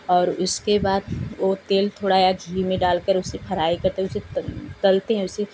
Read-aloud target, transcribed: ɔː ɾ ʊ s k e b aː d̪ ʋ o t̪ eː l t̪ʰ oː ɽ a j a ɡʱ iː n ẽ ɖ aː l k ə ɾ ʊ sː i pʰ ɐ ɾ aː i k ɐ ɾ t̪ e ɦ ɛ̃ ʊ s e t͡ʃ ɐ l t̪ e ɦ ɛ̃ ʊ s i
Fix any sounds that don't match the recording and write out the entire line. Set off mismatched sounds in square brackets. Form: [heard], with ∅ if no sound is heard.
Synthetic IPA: ɔː ɾ ʊ s k e b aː d̪ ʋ o t̪ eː l t̪ʰ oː ɽ a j a ɡʱ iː [m] ẽ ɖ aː l k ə ɾ ʊ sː [e] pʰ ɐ ɾ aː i k ɐ ɾ t̪ e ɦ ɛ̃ ʊ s e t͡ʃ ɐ l t̪ e ɦ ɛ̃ ʊ s [e]